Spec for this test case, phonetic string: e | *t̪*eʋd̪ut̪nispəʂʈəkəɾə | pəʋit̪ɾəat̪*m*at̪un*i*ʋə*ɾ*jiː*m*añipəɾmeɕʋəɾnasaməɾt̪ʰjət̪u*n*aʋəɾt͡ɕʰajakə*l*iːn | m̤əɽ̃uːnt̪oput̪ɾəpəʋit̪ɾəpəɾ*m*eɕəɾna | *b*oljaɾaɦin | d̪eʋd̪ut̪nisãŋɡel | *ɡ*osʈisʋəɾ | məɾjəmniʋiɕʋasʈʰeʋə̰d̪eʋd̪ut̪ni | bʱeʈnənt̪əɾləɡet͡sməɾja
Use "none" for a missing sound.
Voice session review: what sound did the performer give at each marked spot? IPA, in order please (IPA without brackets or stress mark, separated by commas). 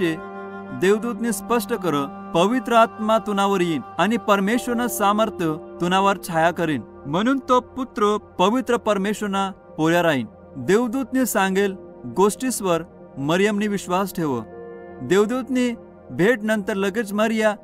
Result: d̪, m, a, ɾ, n, n, ɾ, m, p, ɡ